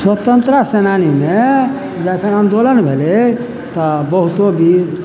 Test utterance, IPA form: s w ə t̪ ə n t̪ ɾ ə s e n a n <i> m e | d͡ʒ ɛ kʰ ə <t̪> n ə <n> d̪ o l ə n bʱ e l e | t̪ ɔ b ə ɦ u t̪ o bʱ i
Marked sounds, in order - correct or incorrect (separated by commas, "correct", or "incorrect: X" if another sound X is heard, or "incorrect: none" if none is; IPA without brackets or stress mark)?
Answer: correct, incorrect: none, correct